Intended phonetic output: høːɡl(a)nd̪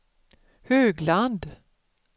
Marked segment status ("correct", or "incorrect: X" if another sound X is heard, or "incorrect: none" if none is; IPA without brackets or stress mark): correct